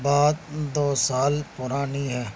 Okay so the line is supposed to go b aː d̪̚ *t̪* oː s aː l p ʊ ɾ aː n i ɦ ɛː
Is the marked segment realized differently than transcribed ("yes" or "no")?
yes